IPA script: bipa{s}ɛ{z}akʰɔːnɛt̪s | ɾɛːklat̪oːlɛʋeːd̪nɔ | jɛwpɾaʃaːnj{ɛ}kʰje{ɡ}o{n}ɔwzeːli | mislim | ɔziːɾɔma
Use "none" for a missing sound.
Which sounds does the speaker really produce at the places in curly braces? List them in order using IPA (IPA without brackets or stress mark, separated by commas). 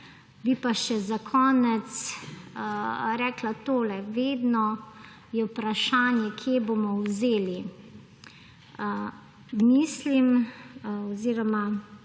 ʃ, z, ɛ, b, m